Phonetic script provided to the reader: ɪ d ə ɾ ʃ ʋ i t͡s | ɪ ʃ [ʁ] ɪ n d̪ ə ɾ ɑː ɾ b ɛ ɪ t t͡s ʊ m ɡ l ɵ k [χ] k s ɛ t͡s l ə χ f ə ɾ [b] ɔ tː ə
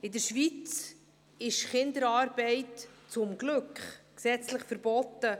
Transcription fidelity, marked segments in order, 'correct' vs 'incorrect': incorrect: χ, correct, correct

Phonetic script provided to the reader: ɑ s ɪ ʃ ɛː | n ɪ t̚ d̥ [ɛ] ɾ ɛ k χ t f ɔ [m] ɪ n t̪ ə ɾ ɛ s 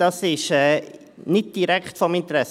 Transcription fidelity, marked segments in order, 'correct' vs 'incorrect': incorrect: i, correct

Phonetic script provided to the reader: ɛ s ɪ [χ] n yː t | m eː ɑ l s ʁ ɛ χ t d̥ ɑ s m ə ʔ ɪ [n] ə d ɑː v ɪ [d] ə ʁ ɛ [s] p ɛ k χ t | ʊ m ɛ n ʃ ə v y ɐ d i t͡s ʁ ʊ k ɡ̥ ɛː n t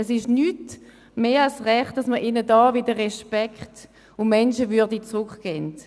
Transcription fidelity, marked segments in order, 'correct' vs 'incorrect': incorrect: ʃ, correct, correct, incorrect: ʃ

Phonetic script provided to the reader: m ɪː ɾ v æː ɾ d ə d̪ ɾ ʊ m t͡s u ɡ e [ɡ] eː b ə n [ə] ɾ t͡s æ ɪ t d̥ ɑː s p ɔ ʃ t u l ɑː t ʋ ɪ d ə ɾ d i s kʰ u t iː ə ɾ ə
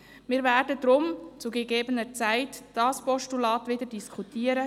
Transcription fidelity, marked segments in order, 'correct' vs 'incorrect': correct, correct

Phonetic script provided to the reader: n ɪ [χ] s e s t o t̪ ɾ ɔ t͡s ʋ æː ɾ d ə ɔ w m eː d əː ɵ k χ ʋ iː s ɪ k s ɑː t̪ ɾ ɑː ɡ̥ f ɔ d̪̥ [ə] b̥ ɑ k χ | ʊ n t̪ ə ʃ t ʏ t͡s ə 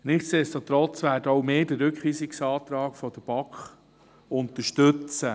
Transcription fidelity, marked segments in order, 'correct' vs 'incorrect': correct, correct

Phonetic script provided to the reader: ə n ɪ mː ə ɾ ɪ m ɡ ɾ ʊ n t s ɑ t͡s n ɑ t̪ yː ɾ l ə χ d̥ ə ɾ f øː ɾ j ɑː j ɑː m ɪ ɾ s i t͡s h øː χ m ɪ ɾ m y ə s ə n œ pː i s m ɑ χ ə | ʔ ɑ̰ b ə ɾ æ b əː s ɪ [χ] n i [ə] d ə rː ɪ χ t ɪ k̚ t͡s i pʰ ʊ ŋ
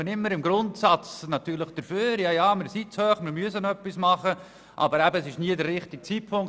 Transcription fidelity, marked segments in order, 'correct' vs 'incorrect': incorrect: ʃ, correct

